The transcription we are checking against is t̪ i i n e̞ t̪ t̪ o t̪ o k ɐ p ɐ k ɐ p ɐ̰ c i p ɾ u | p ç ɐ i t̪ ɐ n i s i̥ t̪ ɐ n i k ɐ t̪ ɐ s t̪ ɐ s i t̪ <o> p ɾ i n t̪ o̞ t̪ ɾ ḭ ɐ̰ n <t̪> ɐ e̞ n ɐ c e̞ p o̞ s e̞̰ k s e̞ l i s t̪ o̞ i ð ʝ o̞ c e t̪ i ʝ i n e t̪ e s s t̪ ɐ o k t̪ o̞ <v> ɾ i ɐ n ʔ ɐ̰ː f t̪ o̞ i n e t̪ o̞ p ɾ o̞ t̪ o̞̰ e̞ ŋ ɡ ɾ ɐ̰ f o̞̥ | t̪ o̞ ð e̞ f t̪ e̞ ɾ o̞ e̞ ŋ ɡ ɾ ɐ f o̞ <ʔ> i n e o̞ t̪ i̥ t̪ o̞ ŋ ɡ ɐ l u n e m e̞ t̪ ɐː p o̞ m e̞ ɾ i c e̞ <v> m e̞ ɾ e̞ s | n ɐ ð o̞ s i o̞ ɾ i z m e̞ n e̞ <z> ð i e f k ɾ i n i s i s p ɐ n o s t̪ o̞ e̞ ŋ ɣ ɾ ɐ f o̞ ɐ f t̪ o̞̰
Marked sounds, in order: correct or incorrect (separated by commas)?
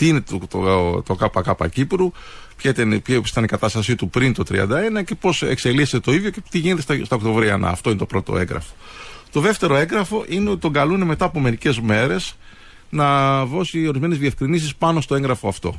incorrect, incorrect, correct, correct, incorrect, correct